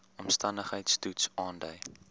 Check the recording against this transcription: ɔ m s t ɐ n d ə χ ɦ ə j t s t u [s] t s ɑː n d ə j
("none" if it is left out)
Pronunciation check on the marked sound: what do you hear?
none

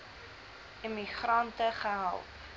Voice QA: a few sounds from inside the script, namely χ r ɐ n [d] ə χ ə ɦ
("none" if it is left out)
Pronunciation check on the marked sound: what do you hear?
t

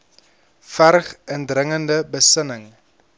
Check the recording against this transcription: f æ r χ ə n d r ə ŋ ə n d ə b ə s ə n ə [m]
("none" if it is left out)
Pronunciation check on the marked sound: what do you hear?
ŋ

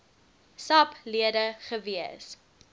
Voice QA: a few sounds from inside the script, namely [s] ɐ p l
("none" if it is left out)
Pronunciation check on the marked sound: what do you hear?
s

